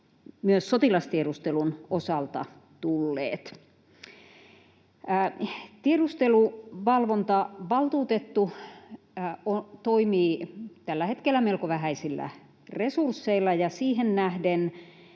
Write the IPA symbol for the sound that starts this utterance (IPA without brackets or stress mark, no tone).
m